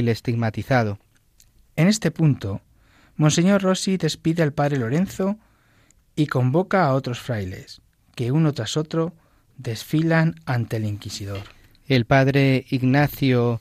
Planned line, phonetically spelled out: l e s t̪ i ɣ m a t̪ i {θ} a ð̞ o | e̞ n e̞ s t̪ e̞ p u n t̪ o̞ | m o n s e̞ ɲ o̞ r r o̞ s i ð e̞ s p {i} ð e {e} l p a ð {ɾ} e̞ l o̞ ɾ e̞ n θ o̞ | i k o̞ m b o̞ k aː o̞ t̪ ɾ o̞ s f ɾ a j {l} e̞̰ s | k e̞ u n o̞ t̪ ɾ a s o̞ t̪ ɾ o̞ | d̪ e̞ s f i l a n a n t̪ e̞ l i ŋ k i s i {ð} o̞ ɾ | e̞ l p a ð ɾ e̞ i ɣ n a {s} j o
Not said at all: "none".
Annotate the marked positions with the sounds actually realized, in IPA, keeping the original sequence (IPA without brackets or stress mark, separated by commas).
θ, i, a, ɾ, l, ð, θ